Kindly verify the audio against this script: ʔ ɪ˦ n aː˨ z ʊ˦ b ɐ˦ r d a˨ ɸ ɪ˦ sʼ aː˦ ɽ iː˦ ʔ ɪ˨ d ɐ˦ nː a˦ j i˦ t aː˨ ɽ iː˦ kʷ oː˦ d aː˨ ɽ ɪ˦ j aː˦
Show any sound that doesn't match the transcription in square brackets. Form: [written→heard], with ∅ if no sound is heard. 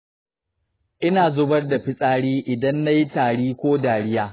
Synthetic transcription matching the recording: ʔ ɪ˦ n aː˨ z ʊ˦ b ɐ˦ r d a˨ ɸ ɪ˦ sʼ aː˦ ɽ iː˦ ʔ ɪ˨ d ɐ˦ nː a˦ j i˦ t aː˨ ɽ iː˦ kʷ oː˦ d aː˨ ɽ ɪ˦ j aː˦